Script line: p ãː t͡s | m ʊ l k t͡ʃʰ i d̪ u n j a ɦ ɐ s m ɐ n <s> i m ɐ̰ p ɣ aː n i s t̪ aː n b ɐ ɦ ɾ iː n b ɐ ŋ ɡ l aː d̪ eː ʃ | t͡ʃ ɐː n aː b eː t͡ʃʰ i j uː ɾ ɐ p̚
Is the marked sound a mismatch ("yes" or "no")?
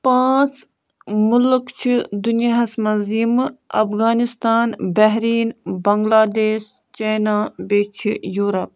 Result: yes